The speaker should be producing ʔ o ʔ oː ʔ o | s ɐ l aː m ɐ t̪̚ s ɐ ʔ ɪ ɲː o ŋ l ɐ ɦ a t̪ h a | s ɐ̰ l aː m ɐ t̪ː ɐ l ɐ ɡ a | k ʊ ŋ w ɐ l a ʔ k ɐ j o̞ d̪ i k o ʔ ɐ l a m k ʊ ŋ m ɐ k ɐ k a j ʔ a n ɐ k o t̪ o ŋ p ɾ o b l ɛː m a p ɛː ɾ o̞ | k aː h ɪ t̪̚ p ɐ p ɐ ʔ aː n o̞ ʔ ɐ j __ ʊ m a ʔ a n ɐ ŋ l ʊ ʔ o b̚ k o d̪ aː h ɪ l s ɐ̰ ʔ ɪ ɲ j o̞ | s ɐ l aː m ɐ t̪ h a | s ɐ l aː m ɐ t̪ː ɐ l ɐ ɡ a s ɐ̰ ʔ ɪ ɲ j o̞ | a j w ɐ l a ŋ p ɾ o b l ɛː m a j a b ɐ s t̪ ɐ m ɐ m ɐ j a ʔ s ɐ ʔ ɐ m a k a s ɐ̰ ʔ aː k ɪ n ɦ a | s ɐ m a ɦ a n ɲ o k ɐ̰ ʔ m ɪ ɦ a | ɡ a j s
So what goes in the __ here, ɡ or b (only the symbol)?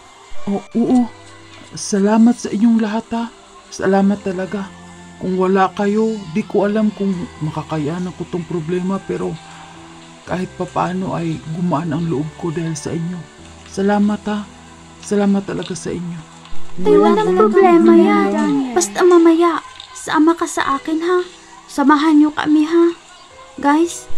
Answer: ɡ